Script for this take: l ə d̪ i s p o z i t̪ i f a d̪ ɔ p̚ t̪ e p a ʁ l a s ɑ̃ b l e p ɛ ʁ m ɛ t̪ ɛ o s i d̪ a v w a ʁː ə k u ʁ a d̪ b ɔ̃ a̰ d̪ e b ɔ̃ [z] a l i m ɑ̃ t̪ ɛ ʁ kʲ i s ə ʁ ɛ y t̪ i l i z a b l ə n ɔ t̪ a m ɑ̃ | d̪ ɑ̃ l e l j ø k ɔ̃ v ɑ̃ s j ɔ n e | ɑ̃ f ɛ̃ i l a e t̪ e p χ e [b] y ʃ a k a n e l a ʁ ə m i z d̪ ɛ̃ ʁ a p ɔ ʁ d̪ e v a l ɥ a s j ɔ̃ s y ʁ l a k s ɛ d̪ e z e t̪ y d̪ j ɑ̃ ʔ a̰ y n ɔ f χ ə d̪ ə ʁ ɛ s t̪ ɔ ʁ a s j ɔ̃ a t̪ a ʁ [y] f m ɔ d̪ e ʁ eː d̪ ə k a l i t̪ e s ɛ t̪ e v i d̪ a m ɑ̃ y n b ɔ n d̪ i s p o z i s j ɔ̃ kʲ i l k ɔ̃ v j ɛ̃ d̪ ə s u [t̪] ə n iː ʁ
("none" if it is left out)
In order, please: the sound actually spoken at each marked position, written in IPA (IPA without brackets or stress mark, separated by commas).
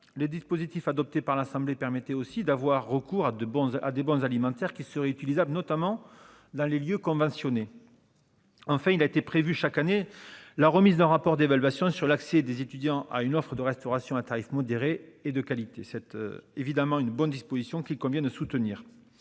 z, v, i, t̪